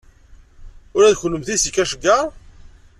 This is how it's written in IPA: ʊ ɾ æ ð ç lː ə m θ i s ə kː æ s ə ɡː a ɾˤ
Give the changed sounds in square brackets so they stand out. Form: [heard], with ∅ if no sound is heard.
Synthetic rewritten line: ʊ ɾ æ ð ç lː ə m θ i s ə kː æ [ʃ] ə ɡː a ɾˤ

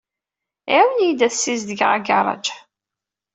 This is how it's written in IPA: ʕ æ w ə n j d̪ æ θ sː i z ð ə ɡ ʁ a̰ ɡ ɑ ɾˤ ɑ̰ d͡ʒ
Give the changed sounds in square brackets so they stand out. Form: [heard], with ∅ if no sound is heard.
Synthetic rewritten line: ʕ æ w ə n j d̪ æ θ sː i z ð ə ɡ ʁ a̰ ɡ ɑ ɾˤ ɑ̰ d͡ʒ

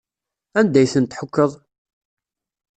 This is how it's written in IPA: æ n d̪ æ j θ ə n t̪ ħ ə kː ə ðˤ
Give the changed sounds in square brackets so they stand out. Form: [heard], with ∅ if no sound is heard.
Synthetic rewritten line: æ n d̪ æ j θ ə n t̪ ħ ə kː ə ðˤ

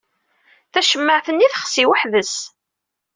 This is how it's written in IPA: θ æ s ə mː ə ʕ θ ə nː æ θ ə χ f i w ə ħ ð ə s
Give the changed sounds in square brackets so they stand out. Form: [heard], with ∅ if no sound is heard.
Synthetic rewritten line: θ æ [ʃ] ə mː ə ʕ θ ə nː [i] θ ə χ [s] i w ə ħ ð ə s

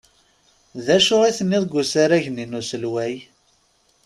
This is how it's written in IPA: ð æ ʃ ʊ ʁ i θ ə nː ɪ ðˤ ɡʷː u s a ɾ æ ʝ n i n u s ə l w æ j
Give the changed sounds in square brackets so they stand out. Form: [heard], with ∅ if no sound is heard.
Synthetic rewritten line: ð æ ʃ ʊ ʁ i θ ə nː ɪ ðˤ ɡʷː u s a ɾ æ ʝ n i n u s ə l w æ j

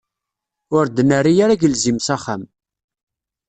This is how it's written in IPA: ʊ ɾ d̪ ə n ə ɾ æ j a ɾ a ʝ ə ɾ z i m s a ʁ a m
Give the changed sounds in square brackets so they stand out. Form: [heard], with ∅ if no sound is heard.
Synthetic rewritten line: ʊ ɾ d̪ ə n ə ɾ [i] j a ɾ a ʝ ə [l] z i m s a [χ] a m

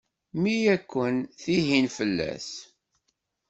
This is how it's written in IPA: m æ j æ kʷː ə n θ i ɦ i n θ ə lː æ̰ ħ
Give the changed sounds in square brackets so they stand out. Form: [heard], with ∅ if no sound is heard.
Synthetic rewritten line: m [i] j æ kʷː ə n θ i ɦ i n [f] ə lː æ̰ [s]

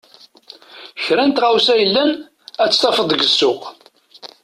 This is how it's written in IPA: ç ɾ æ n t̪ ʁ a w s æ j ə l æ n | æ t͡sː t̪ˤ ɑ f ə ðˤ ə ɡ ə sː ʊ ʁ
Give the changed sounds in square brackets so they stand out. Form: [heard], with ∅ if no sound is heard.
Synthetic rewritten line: ç ɾ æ n t̪ ʁ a w s æ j ə [lː] æ n | æ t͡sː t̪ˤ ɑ f ə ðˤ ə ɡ ə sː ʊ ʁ

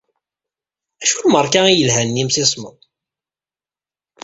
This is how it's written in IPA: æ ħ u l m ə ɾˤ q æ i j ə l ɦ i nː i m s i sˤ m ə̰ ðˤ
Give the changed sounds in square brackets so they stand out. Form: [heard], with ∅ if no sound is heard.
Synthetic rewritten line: æ [ʃ] u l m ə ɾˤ [k] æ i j ə l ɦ [æ] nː i m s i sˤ m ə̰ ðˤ

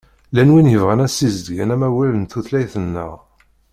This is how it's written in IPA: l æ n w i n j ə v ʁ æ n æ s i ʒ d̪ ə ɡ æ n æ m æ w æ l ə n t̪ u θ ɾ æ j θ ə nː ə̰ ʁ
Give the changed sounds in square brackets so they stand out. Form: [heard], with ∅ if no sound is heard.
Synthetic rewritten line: l æ n w i n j ə v ʁ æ n æ s i [z] d̪ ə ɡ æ n æ m æ w æ l ə n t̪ u θ [l] æ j θ ə nː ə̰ ʁ

